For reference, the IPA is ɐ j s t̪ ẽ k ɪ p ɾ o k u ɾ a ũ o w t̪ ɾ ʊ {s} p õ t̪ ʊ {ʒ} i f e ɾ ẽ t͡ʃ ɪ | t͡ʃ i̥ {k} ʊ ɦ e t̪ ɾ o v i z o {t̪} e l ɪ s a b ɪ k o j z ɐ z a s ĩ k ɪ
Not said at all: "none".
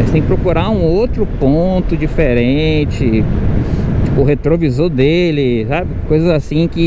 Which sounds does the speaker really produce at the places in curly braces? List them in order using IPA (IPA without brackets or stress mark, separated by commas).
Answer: none, d͡ʒ, p, d̪